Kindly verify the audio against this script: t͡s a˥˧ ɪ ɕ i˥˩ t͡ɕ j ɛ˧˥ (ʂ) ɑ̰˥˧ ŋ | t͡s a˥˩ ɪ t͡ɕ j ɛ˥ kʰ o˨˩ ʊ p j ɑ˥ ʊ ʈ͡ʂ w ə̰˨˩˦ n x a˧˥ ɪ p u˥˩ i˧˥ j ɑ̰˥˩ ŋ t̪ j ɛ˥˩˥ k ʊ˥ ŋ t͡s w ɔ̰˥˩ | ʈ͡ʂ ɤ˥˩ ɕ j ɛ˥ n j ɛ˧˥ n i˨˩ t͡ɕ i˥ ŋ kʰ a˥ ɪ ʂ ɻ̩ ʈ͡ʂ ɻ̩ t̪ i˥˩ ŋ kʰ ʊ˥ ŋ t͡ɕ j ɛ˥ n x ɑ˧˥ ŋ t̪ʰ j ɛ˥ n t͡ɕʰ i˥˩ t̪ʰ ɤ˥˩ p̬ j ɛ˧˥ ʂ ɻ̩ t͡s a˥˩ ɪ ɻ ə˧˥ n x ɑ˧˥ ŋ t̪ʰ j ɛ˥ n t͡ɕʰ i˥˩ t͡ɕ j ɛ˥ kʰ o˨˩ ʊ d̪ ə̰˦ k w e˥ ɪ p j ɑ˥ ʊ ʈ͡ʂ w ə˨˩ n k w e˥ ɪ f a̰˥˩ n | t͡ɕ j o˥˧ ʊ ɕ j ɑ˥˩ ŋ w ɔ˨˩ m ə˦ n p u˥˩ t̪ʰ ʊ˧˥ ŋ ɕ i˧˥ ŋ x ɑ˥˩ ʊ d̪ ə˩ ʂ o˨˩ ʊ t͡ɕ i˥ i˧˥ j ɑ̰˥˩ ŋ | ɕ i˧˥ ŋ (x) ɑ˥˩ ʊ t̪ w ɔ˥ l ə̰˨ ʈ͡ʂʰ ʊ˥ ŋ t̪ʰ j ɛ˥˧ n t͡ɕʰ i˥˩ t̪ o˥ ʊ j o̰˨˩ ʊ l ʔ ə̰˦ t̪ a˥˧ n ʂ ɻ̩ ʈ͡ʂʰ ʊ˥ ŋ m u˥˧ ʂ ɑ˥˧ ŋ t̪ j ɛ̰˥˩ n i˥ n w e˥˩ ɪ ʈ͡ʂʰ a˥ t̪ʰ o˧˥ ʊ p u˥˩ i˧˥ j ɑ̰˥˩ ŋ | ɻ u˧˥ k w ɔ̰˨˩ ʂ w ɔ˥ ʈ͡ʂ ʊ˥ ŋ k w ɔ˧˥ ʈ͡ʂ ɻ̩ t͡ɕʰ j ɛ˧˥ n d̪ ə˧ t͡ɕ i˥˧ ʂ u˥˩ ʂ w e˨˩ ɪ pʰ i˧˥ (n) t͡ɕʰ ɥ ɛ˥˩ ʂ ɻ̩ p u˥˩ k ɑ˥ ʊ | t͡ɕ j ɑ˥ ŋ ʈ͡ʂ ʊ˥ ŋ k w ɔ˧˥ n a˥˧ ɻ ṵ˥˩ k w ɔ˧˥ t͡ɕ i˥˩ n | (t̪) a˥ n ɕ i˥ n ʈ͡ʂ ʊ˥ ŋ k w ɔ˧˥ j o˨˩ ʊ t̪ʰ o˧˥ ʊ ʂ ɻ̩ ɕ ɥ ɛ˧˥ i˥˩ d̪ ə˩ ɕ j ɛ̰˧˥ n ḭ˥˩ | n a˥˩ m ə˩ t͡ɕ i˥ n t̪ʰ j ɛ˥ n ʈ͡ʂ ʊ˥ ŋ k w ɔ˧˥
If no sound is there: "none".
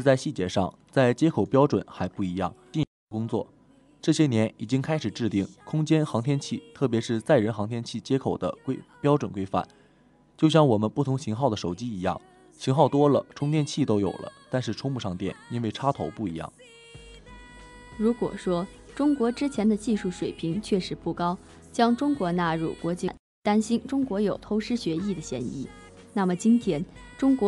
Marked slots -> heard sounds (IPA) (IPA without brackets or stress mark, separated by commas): ʂ, x, ŋ, t̪